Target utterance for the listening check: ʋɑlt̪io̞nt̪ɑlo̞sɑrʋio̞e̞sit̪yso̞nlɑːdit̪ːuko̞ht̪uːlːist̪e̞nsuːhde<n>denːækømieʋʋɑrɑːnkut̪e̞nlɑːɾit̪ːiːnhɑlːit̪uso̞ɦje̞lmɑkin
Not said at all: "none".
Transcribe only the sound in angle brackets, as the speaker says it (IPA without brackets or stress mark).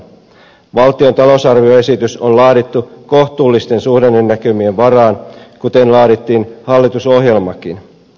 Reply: n